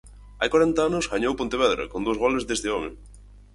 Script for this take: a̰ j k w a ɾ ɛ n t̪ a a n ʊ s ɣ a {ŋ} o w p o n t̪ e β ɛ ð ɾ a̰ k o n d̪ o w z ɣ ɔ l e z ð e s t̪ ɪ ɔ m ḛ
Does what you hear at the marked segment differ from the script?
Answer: yes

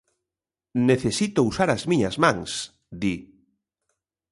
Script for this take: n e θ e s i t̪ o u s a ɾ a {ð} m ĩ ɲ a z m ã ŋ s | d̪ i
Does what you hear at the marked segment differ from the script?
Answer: yes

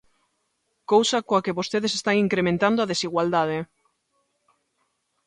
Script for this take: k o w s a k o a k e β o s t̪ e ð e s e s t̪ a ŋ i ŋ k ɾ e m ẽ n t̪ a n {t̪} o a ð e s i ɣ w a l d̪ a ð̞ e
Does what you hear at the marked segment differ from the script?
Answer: yes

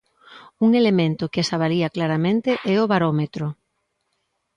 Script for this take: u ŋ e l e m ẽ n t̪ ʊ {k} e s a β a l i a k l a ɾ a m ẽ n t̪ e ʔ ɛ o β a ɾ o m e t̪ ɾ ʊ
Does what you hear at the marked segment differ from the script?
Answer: no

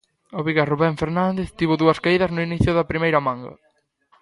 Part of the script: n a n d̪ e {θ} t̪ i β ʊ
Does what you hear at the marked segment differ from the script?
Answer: no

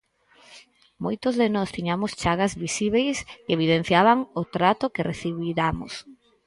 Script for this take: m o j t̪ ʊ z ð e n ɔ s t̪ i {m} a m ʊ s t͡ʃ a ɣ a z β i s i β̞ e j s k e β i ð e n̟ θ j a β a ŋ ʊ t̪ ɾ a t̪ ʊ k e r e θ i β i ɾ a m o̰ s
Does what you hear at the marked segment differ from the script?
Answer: yes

